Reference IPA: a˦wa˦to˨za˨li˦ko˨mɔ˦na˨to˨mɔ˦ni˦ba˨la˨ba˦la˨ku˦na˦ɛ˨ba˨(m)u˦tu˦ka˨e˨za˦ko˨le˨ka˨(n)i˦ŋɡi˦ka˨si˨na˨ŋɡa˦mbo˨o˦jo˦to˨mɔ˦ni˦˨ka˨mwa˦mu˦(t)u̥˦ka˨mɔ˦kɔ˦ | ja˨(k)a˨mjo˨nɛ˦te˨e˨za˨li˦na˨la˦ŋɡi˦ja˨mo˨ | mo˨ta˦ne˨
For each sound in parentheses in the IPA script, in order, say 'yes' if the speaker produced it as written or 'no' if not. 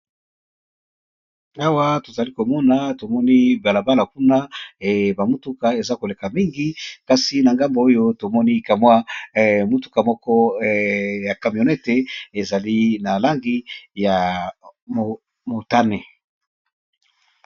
yes, no, yes, yes

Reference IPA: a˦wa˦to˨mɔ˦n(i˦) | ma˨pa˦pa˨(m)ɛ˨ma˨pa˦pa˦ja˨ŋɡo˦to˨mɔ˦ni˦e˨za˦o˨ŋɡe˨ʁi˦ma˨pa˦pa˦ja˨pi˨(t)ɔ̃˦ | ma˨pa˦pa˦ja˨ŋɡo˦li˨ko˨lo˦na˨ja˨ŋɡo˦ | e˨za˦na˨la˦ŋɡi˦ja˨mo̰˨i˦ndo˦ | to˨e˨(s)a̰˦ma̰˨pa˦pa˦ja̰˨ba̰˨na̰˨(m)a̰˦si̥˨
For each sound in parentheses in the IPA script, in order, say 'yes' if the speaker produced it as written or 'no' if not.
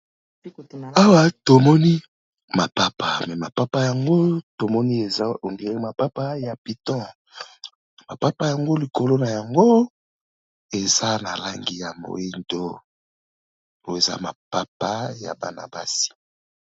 yes, yes, yes, no, no

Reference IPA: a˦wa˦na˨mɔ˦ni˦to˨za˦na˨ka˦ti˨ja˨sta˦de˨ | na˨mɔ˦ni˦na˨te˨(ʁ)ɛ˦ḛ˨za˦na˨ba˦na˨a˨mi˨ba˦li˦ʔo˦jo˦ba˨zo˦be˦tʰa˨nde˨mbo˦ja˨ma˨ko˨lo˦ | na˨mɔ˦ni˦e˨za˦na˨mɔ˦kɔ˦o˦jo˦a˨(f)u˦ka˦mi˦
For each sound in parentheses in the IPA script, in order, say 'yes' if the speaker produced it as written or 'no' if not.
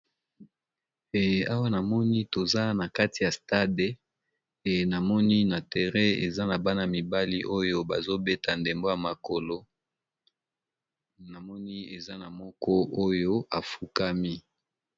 yes, yes

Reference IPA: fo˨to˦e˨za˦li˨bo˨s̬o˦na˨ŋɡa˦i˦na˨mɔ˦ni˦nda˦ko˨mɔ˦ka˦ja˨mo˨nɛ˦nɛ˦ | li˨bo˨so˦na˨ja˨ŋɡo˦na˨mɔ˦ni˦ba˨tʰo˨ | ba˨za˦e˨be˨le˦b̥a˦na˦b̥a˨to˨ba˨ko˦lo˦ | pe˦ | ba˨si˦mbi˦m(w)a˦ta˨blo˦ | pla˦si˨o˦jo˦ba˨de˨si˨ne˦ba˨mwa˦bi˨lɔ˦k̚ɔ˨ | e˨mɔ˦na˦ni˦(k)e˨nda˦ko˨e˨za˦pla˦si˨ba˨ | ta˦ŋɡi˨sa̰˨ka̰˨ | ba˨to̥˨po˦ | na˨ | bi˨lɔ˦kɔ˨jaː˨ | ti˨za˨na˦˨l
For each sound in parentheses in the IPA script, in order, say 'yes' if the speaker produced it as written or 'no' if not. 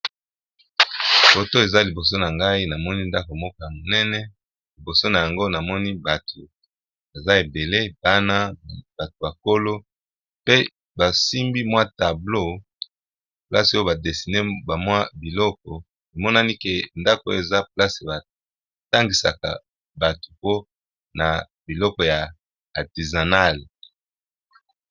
yes, yes

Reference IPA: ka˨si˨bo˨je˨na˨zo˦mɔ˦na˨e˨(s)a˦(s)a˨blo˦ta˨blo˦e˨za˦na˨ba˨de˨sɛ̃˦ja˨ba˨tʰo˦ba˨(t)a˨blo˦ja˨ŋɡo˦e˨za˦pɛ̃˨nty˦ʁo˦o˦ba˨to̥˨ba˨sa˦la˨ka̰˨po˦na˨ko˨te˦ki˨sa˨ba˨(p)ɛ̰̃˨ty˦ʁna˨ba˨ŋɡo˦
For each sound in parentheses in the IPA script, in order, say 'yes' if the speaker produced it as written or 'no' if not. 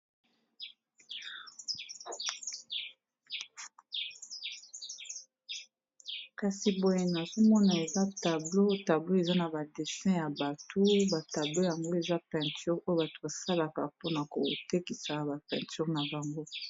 no, no, yes, yes

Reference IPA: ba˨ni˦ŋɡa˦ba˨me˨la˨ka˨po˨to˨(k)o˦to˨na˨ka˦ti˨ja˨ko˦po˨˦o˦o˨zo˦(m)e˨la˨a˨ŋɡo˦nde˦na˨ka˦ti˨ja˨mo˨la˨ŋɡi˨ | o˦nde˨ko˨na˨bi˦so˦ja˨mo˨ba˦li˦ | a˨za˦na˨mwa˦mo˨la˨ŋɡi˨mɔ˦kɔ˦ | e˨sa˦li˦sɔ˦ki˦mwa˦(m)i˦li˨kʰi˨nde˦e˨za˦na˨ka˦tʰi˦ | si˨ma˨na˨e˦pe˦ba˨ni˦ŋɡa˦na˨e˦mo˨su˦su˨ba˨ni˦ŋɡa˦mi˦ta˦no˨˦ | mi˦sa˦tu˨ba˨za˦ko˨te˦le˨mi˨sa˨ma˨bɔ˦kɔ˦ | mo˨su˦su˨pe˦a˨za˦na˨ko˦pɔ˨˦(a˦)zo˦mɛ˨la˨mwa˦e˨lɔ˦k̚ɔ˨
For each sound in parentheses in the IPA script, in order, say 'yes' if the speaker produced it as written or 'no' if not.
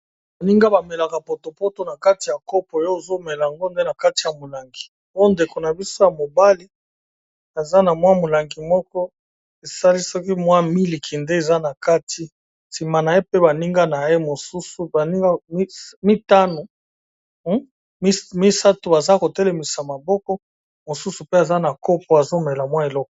no, yes, yes, no

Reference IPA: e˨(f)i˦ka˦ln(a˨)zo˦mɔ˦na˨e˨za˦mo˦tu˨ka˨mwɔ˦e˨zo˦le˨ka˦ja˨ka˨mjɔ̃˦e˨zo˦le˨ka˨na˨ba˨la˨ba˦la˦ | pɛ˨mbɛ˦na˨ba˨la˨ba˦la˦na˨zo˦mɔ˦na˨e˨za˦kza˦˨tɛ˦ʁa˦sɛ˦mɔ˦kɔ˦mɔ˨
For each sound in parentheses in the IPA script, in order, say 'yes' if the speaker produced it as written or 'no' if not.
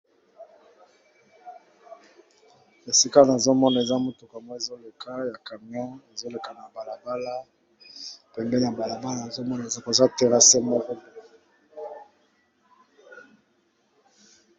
no, yes

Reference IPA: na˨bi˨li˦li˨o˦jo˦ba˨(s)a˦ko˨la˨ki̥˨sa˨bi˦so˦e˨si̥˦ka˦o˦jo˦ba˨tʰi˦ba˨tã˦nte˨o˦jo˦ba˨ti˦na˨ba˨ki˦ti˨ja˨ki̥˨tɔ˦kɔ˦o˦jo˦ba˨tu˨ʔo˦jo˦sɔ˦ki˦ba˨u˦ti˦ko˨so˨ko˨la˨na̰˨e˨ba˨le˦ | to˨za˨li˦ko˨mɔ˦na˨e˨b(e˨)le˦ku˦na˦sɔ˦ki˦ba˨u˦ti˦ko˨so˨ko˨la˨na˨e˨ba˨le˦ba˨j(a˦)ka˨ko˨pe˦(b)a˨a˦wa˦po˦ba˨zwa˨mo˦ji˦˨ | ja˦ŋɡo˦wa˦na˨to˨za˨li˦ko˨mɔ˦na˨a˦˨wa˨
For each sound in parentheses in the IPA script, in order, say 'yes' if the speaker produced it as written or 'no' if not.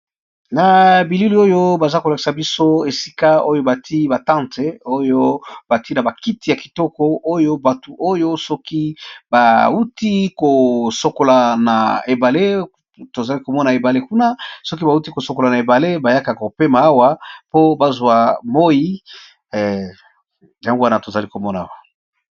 no, no, yes, no

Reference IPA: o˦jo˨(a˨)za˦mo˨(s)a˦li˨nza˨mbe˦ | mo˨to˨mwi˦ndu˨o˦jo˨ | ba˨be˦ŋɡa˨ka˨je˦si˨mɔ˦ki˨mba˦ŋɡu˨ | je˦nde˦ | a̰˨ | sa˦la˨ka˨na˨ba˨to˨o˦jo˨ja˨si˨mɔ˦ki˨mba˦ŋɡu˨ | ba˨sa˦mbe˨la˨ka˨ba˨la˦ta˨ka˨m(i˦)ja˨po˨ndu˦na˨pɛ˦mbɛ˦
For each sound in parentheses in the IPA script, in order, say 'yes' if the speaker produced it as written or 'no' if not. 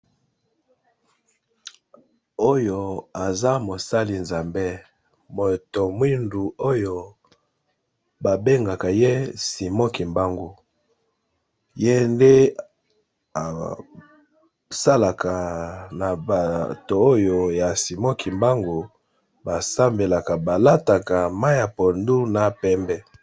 yes, yes, no

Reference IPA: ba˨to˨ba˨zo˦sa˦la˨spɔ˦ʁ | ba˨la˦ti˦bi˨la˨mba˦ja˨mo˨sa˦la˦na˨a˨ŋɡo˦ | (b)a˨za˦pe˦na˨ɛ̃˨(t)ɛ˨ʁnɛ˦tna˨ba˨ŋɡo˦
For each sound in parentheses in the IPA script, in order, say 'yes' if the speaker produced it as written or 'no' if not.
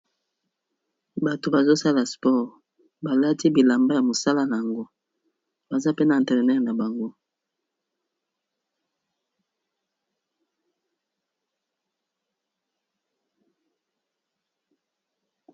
yes, yes

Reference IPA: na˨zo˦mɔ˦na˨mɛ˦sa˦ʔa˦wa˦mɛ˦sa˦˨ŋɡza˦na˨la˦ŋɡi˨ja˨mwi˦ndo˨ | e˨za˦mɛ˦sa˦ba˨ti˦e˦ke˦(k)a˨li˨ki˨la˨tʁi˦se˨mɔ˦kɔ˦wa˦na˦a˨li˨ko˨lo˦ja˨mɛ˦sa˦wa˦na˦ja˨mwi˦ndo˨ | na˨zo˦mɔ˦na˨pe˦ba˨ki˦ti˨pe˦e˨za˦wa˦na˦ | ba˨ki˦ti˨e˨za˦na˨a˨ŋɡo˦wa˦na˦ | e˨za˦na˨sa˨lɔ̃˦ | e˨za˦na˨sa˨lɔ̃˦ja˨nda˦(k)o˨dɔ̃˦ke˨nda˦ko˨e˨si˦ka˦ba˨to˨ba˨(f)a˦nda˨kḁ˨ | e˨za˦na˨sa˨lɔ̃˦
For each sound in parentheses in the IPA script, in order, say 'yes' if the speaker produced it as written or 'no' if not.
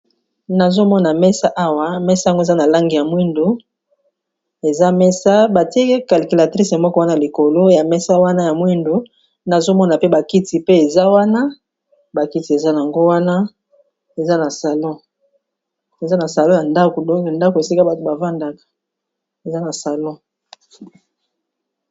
yes, yes, no

